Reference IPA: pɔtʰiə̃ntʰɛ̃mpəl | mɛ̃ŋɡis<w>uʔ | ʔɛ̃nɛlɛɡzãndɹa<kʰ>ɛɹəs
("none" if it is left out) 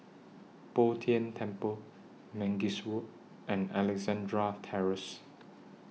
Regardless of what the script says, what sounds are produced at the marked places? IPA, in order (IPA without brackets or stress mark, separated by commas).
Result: w, tʰ